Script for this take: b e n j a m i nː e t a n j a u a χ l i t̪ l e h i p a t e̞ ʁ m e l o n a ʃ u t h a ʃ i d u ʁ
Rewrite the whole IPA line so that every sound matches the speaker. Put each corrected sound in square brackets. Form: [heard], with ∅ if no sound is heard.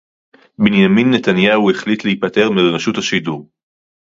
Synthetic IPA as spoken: b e n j a m i nː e t a n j a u [e] χ l i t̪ l e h i p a t e̞ ʁ m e l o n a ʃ u t h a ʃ i d u ʁ